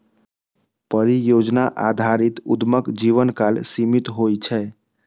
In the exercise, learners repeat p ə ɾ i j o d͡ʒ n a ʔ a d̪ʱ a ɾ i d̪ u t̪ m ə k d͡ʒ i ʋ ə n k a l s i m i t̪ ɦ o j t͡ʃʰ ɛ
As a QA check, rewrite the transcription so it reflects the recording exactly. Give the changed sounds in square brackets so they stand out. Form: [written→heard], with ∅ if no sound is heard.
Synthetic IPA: p ə ɾ i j o d͡ʒ n a ʔ a d̪ʱ a ɾ i [d̪→t̪] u [t̪→d̪] m ə k d͡ʒ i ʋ ə n k a l s i m i t̪ ɦ o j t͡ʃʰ ɛ